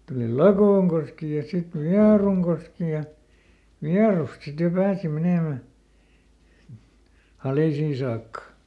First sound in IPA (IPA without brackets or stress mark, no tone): t